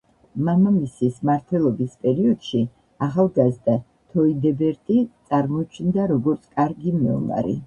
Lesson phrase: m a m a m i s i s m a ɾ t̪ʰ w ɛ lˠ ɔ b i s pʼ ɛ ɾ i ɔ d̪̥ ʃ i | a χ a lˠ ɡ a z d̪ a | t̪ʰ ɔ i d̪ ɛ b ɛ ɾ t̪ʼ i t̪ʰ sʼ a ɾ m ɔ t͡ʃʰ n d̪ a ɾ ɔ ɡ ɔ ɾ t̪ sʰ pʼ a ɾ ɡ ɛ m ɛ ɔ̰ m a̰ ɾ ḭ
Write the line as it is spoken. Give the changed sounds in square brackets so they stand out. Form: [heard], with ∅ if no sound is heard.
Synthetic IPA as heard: m a m a m i s i s m a ɾ t̪ʰ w ɛ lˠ ɔ b i s pʼ ɛ ɾ i ɔ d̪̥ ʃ i | a χ a lˠ ɡ a z d̪ a | t̪ʰ ɔ i d̪ ɛ b ɛ ɾ t̪ʼ i [t̪] sʼ a ɾ m ɔ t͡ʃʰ n d̪ a ɾ ɔ ɡ ɔ ɾ t̪ sʰ [kʼ] a ɾ ɡ [i] m ɛ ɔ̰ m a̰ ɾ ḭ